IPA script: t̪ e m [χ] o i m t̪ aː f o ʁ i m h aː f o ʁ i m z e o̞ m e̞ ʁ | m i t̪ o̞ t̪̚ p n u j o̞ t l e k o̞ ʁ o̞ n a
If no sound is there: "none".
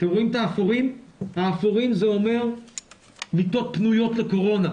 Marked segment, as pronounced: ʁ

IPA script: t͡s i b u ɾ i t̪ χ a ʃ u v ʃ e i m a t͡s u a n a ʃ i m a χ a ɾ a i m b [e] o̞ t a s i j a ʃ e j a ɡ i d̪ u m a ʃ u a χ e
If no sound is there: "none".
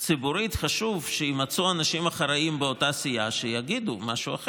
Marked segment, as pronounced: e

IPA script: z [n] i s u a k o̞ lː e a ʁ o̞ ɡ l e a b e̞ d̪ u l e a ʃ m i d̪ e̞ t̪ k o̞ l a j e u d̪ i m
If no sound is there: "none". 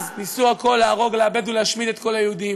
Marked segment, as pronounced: n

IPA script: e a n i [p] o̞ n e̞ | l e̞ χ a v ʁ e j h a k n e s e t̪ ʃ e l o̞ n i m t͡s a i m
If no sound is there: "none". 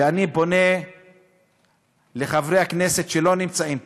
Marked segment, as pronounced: b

